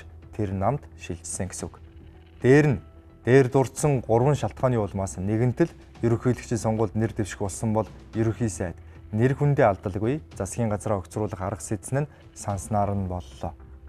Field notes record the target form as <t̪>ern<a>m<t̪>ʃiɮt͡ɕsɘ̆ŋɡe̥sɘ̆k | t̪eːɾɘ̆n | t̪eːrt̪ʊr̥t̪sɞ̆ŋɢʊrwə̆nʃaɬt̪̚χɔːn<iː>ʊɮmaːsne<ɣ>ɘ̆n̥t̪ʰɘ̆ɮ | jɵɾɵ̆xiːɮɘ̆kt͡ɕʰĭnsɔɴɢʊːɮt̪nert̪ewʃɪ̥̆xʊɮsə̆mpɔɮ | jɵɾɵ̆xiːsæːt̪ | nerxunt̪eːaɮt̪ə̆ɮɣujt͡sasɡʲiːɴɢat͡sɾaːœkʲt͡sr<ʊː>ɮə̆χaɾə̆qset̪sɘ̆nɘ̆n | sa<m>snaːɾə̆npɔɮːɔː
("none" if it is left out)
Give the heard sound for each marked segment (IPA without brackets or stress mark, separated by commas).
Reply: t̪ʰ, a, t̪, iː, ɣ, ʊː, n